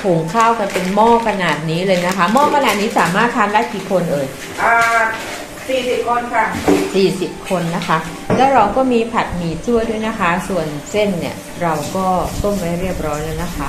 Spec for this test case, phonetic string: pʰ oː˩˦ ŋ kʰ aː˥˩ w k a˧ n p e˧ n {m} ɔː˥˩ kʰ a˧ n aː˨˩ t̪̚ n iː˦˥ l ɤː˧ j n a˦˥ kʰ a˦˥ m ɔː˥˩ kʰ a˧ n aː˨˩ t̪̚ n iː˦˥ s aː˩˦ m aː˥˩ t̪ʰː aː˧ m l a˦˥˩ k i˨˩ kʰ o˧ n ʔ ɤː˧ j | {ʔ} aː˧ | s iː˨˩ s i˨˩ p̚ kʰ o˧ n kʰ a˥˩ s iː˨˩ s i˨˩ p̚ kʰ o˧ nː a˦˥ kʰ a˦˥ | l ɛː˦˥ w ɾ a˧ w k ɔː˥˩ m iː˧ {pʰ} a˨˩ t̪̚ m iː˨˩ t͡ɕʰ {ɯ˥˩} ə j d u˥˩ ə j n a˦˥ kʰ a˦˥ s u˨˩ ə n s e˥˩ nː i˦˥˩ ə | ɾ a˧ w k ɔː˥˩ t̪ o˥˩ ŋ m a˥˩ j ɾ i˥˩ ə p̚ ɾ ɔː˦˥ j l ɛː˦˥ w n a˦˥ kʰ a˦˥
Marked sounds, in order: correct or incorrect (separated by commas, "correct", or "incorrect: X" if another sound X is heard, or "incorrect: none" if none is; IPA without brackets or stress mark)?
correct, correct, correct, incorrect: u˥˩